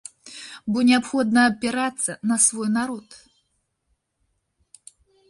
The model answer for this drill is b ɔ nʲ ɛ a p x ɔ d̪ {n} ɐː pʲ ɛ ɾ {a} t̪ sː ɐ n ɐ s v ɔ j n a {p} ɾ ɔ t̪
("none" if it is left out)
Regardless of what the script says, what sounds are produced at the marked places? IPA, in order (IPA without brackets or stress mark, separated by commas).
n, a, none